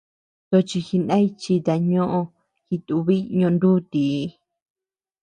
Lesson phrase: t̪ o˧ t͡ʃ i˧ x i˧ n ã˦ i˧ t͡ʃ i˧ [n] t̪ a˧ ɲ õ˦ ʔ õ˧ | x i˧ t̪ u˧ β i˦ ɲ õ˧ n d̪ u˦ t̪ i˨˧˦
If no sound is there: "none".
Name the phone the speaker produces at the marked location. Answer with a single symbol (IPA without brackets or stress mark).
none